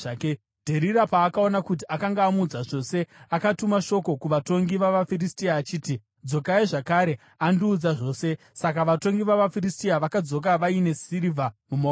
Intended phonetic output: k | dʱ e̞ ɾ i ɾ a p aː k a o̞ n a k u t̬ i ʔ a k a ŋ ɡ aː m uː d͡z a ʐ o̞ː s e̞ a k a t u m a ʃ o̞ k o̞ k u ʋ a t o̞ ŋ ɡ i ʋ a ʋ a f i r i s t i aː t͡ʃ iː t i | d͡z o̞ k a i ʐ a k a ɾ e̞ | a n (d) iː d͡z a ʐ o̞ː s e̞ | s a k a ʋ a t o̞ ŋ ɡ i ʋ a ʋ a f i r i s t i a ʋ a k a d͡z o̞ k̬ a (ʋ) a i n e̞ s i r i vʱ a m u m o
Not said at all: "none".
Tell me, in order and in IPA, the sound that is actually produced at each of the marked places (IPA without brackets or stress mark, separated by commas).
d, ʋ